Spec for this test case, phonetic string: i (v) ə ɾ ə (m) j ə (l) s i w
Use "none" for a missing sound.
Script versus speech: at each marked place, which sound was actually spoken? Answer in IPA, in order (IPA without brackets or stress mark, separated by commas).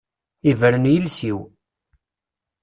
v, n, l